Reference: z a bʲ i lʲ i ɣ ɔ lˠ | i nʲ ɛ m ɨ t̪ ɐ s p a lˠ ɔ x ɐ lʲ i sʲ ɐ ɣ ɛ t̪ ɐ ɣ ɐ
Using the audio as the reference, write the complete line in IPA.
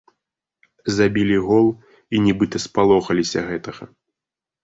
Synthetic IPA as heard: z a bʲ i lʲ i ɣ ɔ lˠ | i nʲ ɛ b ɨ t̪ ɐ s p a lˠ ɔ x ɐ lʲ i sʲ ɐ ɣ ɛ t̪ ɐ ɣ ɐ